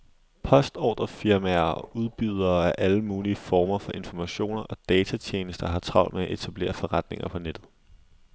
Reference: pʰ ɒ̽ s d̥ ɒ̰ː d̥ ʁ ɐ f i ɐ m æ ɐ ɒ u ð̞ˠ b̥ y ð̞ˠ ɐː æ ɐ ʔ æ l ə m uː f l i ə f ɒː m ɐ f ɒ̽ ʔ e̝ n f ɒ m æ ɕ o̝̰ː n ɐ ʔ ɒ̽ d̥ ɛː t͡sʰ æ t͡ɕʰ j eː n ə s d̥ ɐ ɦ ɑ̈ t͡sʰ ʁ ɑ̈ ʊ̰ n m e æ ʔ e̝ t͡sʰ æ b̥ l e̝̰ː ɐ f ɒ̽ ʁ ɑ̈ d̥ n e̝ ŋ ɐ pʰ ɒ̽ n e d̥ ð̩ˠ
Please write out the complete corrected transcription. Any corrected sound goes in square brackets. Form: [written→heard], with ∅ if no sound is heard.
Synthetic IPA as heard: pʰ ɒ̽ s d̥ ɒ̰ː d̥ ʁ ɐ f i ɐ m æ ɐ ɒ u ð̞ˠ b̥ y ð̞ˠ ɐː æ ɐ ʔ æ l ə m uː [f→∅] l i ə f ɒː m ɐ f ɒ̽ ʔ e̝ n f ɒ m æ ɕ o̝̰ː n ɐ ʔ ɒ̽ d̥ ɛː t͡sʰ æ t͡ɕʰ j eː n ə s d̥ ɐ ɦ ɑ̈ t͡sʰ ʁ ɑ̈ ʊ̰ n m e æ ʔ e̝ t͡sʰ æ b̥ l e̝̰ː ɐ f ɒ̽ ʁ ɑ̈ d̥ n e̝ ŋ ɐ pʰ ɒ̽ n e d̥ ð̩ˠ